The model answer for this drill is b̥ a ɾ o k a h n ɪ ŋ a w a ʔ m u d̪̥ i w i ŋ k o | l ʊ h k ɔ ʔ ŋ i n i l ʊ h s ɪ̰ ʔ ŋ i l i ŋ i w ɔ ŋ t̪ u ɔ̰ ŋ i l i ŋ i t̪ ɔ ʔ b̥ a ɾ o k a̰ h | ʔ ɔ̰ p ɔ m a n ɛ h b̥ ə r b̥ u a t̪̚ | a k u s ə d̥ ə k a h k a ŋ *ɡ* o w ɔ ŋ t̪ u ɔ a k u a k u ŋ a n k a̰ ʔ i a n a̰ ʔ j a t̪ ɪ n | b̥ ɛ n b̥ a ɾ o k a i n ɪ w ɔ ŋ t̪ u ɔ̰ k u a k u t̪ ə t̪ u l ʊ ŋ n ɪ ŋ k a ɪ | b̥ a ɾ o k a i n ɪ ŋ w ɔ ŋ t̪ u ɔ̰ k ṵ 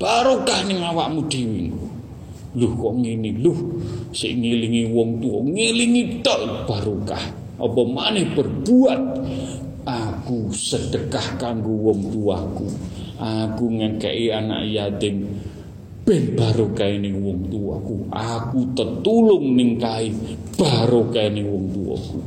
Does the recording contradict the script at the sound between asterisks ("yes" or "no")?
no